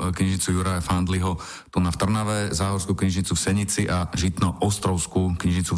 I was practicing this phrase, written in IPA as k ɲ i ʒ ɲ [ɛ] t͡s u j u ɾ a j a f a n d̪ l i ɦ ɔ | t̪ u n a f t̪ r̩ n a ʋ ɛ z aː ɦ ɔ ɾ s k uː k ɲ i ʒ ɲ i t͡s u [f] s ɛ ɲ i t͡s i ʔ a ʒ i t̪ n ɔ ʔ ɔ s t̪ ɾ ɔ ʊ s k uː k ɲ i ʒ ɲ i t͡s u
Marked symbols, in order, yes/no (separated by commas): no, yes